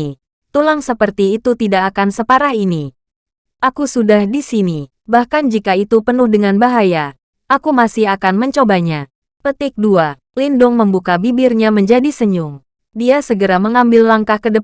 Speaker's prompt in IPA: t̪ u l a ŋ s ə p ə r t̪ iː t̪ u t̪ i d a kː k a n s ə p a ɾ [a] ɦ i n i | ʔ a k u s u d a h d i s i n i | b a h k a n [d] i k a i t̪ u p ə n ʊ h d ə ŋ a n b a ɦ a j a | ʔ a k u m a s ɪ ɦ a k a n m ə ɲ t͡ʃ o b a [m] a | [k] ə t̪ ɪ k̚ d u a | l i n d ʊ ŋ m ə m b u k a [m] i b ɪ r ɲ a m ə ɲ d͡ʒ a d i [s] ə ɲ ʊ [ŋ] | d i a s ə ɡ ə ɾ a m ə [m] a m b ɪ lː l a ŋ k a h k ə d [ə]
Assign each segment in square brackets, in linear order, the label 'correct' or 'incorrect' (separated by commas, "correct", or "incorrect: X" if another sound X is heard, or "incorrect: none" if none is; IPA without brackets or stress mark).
correct, incorrect: d͡ʒ, incorrect: ɲ, incorrect: p, incorrect: b, correct, correct, incorrect: ŋ, correct